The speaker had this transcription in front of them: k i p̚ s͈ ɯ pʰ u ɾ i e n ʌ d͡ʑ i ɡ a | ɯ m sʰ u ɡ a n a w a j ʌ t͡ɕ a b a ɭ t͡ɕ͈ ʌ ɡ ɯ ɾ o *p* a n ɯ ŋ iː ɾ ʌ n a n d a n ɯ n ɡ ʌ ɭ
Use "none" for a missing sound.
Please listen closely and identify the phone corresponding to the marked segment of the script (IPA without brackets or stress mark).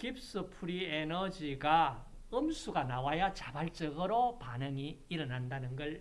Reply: p